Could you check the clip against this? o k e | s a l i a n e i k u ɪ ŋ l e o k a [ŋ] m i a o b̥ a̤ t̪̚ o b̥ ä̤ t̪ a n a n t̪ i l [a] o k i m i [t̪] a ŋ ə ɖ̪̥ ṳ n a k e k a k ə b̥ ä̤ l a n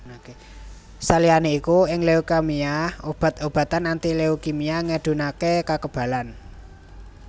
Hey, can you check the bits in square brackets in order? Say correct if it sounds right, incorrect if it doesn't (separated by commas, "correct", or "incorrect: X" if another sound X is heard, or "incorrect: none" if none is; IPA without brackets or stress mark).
incorrect: none, incorrect: e, incorrect: none